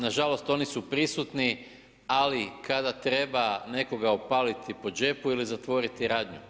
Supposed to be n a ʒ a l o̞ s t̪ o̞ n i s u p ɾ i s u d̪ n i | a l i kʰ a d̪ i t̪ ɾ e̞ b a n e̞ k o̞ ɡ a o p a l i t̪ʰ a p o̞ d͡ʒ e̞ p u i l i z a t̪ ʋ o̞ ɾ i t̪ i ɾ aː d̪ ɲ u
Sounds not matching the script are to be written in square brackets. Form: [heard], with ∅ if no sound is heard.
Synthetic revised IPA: n a ʒ a l o̞ s t̪ o̞ n i s u p ɾ i s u [t̪] n i | a l i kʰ a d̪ [a] t̪ ɾ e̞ b a n e̞ k o̞ ɡ a o p a l i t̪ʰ [i] p o̞ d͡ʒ e̞ p u i l i z a t̪ ʋ o̞ ɾ i t̪ i ɾ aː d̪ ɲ u

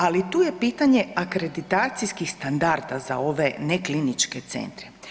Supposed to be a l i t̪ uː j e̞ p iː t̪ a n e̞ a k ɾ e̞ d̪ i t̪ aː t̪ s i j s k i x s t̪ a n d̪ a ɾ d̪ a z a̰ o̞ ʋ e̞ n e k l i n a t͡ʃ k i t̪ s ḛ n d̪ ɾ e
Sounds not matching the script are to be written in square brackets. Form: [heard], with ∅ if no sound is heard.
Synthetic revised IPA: a l i t̪ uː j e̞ p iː t̪ a [ɲ] e̞ a k ɾ e̞ d̪ i t̪ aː t̪ s i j s k i x s t̪ a n d̪ a ɾ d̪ a z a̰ o̞ ʋ e̞ n e k l i n [i] t͡ʃ k [e] t̪ s ḛ n [t̪] ɾ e

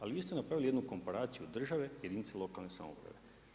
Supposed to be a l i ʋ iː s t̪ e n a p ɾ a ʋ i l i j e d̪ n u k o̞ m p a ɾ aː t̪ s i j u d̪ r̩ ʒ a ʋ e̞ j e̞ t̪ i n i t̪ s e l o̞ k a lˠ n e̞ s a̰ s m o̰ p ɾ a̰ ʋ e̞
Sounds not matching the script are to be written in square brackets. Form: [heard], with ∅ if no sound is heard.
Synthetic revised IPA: a l i ʋ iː s t̪ e n a p ɾ a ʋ i l i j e d̪ n u k o̞ m p a ɾ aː t̪ s i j u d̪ r̩ ʒ a ʋ e̞ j e̞ [d̪] i n i t̪ s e l o̞ k a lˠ n e̞ s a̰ [∅] m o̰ p ɾ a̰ ʋ e̞

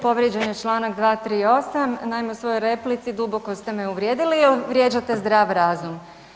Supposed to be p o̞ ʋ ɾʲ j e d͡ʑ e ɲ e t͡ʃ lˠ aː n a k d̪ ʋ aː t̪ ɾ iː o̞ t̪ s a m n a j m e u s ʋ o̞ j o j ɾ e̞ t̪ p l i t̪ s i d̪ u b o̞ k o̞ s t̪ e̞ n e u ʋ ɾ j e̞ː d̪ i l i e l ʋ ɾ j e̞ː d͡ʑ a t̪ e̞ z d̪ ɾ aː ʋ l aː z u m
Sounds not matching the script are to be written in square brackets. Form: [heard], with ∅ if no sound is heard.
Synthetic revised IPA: p o̞ ʋ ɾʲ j e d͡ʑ e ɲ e t͡ʃ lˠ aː n a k d̪ ʋ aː t̪ ɾ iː o̞ [∅] s a m n a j m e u s ʋ o̞ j o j ɾ e̞ [∅] p l i t̪ s i d̪ u b o̞ k o̞ s t̪ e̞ [m] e u ʋ ɾ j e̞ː d̪ i l i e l ʋ ɾ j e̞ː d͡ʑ a t̪ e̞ z d̪ ɾ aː ʋ [ɾ] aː z u m

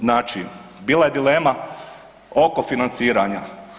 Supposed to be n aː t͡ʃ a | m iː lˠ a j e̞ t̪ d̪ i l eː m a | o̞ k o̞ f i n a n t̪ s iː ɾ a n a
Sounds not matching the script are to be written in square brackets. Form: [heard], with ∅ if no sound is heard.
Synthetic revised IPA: n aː t͡ʃ [i] | [b] iː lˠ a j e̞ [∅] d̪ i l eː m a | o̞ k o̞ f i n a n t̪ s iː ɾ a [ɲ] a

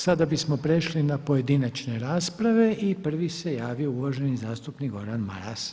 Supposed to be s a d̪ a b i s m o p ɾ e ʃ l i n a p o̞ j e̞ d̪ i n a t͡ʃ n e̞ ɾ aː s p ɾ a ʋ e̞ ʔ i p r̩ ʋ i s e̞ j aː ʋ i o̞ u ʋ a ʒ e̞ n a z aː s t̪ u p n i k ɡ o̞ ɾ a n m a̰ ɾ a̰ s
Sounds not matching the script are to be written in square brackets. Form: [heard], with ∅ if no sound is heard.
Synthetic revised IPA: s a d̪ a b i s m o p ɾ e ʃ l i n a p o̞ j e̞ d̪ i n a t͡ʃ n e̞ ɾ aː s p ɾ a ʋ e̞ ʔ i p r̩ ʋ i s e̞ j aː ʋ i o̞ u ʋ a ʒ e̞ n [i] z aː s t̪ u p n i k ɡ o̞ ɾ a n m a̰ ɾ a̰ s

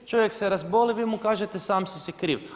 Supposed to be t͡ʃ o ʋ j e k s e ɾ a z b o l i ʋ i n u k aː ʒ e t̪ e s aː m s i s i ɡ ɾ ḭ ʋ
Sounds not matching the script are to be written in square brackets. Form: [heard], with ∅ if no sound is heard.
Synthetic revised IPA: t͡ʃ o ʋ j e k s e ɾ a z b o l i ʋ i [m] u k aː ʒ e t̪ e s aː m s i s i [k] ɾ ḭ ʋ

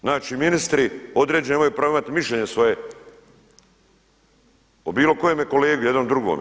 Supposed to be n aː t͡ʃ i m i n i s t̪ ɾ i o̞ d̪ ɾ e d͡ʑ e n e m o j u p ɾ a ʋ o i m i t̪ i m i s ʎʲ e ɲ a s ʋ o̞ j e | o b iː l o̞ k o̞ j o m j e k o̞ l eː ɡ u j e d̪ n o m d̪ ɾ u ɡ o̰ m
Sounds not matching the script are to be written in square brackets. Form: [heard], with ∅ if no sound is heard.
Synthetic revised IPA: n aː t͡ʃ i m i n i s t̪ ɾ i o̞ d̪ ɾ e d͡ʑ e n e m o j u p ɾ a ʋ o i m [a] t̪ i m i [ʃ] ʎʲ e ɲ [e] s ʋ o̞ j e | o b iː l o̞ k o̞ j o m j e k o̞ l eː ɡ u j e d̪ n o m d̪ ɾ u ɡ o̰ m

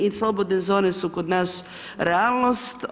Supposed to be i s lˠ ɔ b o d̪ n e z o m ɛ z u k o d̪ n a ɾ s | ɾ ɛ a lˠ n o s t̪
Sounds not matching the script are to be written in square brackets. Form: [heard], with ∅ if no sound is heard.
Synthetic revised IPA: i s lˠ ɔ b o d̪ n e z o [n] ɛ [s] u k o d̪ n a [∅] s | ɾ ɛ a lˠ n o s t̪

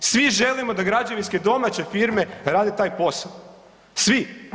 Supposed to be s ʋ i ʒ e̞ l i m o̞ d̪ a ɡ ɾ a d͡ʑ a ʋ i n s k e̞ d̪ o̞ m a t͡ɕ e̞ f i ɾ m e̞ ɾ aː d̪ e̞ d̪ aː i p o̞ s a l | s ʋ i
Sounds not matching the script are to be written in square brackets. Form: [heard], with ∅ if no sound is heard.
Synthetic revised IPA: s ʋ i ʒ e̞ l i m o̞ d̪ a ɡ ɾ a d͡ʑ a ʋ i n s k e̞ d̪ o̞ m a t͡ɕ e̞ f i ɾ m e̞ ɾ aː d̪ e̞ [t̪] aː [j] p o̞ s a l | s ʋ i

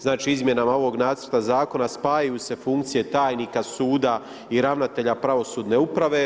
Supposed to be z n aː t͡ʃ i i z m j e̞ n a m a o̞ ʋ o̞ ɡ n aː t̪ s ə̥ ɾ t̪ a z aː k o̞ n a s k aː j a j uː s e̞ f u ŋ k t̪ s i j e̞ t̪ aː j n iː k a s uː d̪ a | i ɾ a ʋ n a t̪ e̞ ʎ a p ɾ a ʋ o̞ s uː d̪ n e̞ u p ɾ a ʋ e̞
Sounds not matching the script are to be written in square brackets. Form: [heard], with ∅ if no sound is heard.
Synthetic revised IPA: z n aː t͡ʃ i i z m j e̞ n a m a o̞ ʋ o̞ ɡ n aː t̪ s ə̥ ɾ t̪ a z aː k o̞ n a s [p] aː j a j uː s e̞ f u ŋ k t̪ s i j e̞ t̪ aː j n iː k a s uː d̪ a | i ɾ a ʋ n a t̪ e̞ ʎ a p ɾ a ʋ o̞ s uː d̪ n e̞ u p ɾ a ʋ e̞

